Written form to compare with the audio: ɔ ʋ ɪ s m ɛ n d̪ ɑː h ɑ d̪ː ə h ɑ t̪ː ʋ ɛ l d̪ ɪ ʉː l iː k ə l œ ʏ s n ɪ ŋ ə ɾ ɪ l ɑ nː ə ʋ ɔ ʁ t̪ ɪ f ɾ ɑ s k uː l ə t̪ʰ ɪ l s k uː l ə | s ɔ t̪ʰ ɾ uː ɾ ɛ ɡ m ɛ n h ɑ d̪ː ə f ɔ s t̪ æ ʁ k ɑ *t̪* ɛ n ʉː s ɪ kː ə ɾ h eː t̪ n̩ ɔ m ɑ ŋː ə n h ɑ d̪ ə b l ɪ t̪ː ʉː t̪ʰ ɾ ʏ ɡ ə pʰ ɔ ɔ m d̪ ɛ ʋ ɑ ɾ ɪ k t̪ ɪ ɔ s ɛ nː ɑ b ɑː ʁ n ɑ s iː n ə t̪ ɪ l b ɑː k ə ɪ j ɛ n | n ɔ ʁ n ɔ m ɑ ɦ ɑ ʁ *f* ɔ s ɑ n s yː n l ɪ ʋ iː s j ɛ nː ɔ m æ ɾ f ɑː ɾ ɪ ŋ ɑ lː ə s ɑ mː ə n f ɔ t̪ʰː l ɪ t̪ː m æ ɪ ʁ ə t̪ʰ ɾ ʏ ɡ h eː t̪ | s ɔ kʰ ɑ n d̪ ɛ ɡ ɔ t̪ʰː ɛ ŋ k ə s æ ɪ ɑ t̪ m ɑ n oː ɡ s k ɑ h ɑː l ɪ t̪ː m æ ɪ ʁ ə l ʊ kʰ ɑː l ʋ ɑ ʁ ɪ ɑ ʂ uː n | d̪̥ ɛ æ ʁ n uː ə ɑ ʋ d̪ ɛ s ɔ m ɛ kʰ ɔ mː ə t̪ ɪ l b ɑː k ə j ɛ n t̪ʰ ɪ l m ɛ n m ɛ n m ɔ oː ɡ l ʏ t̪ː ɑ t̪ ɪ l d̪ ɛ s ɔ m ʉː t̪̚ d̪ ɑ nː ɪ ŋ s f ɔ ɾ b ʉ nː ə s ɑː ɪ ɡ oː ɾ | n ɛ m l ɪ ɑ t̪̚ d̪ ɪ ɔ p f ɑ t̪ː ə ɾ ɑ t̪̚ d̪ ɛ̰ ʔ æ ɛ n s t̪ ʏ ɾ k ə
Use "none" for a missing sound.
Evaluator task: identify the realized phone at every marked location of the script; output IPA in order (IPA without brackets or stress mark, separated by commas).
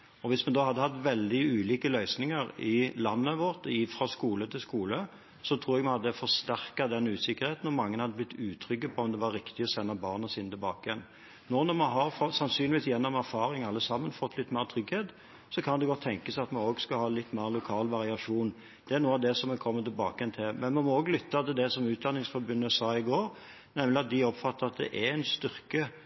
d̪, f